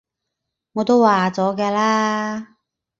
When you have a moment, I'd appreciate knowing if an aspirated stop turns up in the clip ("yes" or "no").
no